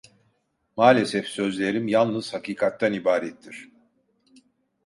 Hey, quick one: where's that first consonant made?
lips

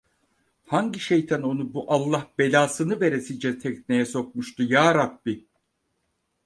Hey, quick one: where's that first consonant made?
throat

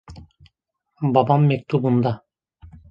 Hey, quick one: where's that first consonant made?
lips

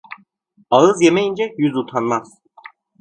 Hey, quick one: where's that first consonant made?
tongue tip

